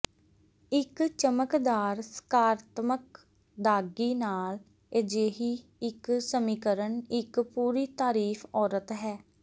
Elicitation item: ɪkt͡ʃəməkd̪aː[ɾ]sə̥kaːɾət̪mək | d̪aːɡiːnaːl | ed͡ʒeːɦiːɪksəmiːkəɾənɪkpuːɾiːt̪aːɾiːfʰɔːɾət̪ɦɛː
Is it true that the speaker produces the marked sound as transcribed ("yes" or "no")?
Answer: yes